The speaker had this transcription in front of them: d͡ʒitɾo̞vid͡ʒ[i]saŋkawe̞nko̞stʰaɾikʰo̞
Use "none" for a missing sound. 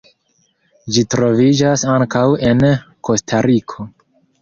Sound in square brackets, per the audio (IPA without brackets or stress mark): a